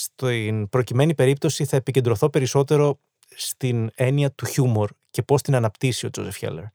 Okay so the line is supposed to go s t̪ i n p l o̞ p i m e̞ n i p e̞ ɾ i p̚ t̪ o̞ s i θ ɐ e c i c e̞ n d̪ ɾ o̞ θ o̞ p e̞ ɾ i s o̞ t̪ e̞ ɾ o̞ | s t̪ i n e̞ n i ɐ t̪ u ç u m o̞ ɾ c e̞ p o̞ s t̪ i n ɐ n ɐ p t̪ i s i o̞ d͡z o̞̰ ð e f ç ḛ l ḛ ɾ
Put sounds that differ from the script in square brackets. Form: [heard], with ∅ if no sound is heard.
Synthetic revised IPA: s t̪ i n p [ɾ] o̞ [c] i m e̞ n i p e̞ ɾ i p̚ t̪ o̞ s i θ ɐ e [p] i c e̞ n d̪ ɾ o̞ θ o̞ p e̞ ɾ i s o̞ t̪ e̞ ɾ o̞ | s t̪ i n e̞ n i ɐ t̪ u ç u m o̞ ɾ c e̞ p o̞ s t̪ i n ɐ n ɐ p t̪ i s i o̞ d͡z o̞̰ [z] e f ç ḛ l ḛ ɾ